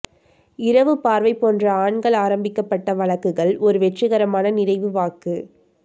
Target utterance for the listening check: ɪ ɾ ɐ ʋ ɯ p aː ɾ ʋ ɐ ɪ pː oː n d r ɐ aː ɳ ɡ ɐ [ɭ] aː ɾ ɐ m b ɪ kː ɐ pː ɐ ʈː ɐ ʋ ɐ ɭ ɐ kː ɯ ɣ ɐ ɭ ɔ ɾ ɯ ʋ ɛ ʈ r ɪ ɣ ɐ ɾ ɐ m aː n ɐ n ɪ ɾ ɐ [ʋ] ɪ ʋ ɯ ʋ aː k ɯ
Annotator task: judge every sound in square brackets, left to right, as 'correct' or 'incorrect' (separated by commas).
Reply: correct, incorrect